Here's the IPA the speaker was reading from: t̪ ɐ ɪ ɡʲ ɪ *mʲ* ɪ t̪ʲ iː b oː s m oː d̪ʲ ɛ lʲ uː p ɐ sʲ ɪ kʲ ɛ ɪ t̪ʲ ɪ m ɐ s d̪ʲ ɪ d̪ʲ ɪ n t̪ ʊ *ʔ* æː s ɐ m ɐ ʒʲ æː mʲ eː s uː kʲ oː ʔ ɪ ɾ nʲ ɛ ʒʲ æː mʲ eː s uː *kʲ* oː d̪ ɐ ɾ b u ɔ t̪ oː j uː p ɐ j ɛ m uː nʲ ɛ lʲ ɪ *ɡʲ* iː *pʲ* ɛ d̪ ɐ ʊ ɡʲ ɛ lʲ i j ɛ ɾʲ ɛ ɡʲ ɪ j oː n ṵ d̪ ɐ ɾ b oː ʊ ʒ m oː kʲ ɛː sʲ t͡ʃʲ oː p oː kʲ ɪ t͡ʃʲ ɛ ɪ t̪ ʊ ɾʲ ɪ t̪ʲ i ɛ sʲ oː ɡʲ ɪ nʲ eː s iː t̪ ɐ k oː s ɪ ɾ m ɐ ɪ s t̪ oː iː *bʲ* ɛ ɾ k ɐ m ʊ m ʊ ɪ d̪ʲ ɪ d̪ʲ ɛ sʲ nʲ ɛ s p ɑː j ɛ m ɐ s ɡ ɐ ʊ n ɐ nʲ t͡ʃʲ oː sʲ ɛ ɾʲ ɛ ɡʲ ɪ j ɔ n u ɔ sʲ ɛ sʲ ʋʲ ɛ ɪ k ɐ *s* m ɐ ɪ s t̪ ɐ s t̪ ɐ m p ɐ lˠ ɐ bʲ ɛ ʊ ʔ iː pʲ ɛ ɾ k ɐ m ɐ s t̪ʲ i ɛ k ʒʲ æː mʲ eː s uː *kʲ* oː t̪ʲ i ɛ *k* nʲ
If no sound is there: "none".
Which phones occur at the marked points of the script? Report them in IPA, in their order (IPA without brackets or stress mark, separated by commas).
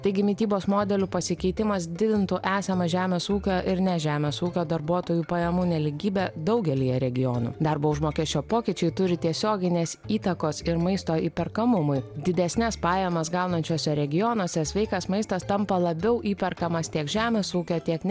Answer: mʲ, ʔ, kʲ, ɡʲ, bʲ, pʲ, s, kʲ, k